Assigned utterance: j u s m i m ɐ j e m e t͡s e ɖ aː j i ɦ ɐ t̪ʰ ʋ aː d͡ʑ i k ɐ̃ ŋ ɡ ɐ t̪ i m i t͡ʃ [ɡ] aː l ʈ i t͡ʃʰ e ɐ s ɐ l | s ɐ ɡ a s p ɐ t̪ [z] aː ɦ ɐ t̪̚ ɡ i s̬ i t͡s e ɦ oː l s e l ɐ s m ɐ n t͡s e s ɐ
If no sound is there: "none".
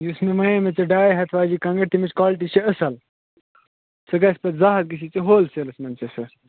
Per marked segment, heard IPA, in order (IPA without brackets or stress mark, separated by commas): k, z